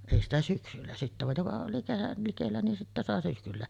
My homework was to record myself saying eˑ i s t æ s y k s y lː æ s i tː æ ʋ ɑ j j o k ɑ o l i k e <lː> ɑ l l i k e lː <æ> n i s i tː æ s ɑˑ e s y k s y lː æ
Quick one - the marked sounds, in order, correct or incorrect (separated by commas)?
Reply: incorrect, correct